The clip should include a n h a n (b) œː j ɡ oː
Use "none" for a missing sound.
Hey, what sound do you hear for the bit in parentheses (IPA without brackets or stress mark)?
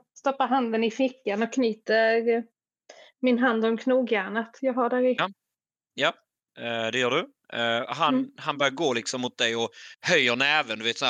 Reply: b